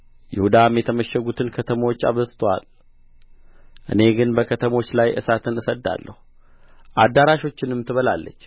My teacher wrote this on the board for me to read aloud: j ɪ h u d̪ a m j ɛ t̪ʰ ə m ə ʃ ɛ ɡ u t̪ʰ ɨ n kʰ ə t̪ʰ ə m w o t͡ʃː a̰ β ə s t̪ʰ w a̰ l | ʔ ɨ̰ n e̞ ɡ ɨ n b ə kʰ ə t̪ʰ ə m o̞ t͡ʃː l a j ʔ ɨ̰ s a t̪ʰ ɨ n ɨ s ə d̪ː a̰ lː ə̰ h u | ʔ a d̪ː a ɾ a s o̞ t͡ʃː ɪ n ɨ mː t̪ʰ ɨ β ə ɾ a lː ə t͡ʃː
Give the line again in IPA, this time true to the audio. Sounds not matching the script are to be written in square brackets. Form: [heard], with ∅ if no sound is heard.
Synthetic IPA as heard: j ɪ h u d̪ a m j ɛ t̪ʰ ə m ə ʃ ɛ ɡ u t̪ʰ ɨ n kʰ ə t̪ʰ ə m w o t͡ʃː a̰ β ə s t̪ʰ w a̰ l | ʔ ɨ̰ n e̞ ɡ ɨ n b ə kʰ ə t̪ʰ ə m o̞ t͡ʃː l a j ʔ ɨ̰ s a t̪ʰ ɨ n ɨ s ə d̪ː a̰ lː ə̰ h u | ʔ a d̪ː a ɾ a [ʃ] o̞ t͡ʃː ɪ n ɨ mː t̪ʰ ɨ β ə [l] a lː ə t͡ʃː

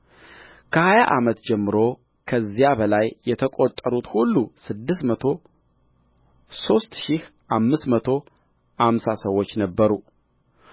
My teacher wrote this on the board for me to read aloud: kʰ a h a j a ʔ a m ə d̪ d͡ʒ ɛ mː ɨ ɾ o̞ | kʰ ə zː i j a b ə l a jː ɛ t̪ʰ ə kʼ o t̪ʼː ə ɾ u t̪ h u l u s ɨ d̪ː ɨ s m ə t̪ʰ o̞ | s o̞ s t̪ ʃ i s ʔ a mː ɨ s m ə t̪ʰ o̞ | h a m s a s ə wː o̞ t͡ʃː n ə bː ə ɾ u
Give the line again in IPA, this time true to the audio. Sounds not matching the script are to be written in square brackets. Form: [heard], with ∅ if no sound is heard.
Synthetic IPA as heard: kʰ [ə] h a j a ʔ a m ə [t̪] d͡ʒ ɛ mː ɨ ɾ o̞ | kʰ ə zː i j a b ə l a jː ɛ t̪ʰ ə kʼ o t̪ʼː ə ɾ u t̪ h u [lː] u s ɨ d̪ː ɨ s m ə t̪ʰ o̞ | s o̞ s t̪ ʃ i [h] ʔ a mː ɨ s m ə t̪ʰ o̞ | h a m s a s ə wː o̞ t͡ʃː n ə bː ə ɾ u

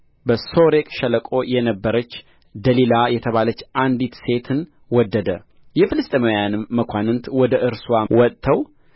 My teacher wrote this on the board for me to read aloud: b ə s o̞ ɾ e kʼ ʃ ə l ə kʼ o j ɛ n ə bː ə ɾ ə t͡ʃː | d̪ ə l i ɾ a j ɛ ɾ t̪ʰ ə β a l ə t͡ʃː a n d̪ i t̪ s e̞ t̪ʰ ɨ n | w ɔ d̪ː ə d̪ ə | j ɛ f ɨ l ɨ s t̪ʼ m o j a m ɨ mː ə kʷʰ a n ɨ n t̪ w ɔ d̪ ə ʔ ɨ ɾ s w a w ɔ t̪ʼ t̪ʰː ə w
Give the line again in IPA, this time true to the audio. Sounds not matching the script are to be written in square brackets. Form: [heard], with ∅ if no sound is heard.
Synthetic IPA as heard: b ə s o̞ ɾ e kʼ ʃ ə l ə kʼ o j ɛ n ə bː ə ɾ ə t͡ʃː | d̪ ə l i [l] a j ɛ [∅] t̪ʰ ə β a l ə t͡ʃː a n d̪ i t̪ s e̞ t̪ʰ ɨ n | w ɔ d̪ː ə d̪ ə | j ɛ f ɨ l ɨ s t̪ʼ m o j a [n] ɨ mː ə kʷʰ a n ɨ n t̪ w ɔ d̪ ə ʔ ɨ ɾ s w a w ɔ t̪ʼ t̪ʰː ə w

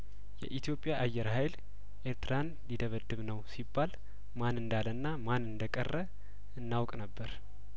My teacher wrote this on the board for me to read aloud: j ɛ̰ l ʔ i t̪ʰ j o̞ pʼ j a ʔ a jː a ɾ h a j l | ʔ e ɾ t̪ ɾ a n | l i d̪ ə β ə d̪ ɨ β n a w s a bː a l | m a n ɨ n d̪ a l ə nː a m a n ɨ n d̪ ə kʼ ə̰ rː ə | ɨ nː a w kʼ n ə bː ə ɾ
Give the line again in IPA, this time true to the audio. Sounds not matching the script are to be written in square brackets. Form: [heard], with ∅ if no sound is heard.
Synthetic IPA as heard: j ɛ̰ [∅] ʔ i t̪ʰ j o̞ pʼ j a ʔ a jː [ɛ] ɾ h a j l | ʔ e ɾ t̪ ɾ a n | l i d̪ ə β ə d̪ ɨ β n [ə] w s [i] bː a l | m a n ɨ n d̪ a l ə nː a m a n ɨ n d̪ ə kʼ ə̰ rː ə | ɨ nː a w kʼ n ə bː ə ɾ

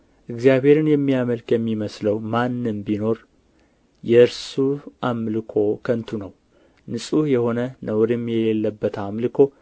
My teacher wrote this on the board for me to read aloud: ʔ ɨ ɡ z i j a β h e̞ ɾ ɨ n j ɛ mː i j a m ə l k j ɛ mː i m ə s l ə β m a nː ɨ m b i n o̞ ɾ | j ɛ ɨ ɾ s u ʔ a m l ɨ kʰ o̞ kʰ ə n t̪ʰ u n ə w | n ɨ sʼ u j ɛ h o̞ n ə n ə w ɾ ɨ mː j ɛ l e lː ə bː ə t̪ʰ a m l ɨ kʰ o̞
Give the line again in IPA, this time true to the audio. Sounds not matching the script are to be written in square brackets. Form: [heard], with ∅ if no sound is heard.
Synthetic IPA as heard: ʔ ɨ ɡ z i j a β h e̞ ɾ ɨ n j ɛ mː i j a m ə l k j ɛ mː i m ə s l ə [w] m a nː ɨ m b i n o̞ ɾ | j ɛ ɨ ɾ s u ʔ a m l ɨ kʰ o̞ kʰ ə n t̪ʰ u n ə w | n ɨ sʼ u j ɛ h o̞ n ə n ə w ɾ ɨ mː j ɛ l e lː ə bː ə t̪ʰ a m l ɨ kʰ o̞

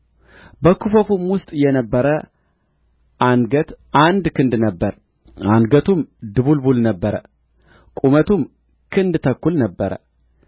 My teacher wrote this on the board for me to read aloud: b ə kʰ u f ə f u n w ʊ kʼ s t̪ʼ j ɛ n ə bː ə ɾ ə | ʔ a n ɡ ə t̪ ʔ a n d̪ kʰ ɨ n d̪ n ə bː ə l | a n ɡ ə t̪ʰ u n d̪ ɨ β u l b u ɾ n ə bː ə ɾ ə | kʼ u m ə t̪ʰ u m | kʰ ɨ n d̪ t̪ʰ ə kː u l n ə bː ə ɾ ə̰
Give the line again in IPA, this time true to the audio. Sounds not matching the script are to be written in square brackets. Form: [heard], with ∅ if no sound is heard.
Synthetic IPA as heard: b ə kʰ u f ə f u [m] w ʊ [∅] s t̪ʼ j ɛ n ə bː ə ɾ ə | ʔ a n ɡ ə t̪ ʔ a n d̪ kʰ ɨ n d̪ n ə bː ə [ɾ] | a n ɡ ə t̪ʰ u [m] d̪ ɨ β u l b u [l] n ə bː ə ɾ ə | kʼ u m ə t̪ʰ u m | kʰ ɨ n d̪ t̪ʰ ə kː u l n ə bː ə ɾ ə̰

